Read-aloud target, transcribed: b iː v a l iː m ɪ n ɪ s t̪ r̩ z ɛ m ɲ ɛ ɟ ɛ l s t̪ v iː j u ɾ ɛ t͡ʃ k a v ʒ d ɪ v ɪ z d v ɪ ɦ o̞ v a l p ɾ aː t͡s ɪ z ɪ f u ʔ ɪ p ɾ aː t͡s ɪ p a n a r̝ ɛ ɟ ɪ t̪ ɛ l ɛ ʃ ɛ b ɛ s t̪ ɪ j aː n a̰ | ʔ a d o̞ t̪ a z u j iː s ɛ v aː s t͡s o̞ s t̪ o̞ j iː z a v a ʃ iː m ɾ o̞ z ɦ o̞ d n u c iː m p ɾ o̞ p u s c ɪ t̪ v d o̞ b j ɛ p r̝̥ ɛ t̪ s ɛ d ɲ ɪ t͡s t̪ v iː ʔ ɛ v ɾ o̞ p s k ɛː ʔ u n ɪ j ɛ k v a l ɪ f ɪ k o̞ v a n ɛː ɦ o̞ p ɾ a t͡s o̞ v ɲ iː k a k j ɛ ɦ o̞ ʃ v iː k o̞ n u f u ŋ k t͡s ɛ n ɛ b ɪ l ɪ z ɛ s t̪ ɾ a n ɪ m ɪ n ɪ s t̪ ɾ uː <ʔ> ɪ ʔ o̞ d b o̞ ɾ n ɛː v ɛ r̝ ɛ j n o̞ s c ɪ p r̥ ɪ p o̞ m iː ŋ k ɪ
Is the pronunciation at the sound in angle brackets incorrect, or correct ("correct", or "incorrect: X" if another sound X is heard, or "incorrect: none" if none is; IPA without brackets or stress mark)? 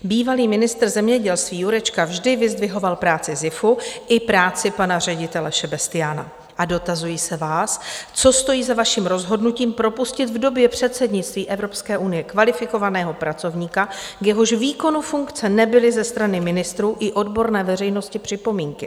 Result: correct